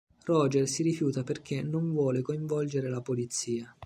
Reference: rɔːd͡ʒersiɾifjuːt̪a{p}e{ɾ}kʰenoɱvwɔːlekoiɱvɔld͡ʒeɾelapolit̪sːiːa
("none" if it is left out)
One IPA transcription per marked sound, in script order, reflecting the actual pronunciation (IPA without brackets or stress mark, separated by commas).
p, r